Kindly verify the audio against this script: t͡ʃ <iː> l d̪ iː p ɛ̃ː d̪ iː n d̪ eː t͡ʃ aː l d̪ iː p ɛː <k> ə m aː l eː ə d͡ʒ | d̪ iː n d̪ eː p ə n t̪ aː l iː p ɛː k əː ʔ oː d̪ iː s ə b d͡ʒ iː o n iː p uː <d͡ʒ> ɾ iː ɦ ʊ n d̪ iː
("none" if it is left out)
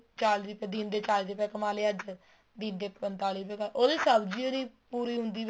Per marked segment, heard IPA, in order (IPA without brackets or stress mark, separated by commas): aː, k, none